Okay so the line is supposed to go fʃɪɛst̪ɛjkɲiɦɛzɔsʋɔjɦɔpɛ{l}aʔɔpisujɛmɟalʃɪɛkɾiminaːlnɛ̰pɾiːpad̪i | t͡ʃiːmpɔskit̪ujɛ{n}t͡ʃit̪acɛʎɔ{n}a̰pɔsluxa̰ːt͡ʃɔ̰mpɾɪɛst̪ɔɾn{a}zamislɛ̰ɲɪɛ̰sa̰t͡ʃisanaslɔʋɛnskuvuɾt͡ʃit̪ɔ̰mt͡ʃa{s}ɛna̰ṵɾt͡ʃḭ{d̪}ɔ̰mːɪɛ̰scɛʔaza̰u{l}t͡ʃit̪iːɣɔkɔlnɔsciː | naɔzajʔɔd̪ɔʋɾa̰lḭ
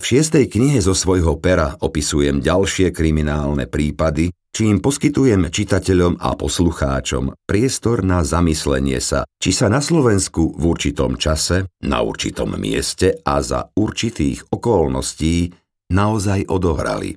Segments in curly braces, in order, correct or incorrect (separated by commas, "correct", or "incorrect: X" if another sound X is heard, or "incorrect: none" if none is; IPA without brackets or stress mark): incorrect: ɾ, incorrect: m, incorrect: m, correct, correct, incorrect: t̪, incorrect: ɾ